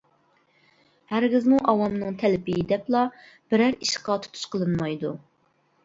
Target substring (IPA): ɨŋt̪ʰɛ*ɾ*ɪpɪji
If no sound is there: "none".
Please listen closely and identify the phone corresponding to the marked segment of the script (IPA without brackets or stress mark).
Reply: l